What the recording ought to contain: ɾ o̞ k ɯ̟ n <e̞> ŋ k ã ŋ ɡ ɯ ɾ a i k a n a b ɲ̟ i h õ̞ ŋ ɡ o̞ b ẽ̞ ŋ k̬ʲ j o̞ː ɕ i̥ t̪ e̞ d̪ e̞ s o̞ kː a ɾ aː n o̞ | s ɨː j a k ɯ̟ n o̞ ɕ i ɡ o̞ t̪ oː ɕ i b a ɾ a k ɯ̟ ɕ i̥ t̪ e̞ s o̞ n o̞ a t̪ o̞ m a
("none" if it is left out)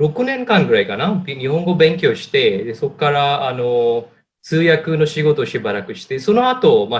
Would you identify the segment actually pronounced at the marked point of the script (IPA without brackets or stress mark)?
ẽ̞